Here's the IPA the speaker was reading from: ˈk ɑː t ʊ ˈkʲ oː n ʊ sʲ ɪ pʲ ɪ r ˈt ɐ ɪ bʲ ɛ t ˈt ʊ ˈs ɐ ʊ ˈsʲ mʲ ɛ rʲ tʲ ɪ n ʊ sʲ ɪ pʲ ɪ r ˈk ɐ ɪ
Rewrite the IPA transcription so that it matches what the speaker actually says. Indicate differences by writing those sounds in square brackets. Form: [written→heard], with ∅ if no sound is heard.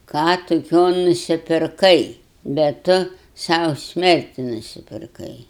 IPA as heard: ˈk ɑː t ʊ ˈkʲ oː n ʊ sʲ ɪ pʲ ɪ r [ˈt→ˈk] ɐ ɪ bʲ ɛ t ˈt ʊ ˈs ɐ ʊ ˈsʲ mʲ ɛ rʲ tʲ ɪ n ʊ sʲ ɪ pʲ ɪ r ˈk ɐ ɪ